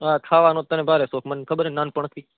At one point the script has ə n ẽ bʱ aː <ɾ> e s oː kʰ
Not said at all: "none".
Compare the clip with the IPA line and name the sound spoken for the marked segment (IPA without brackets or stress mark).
ɾ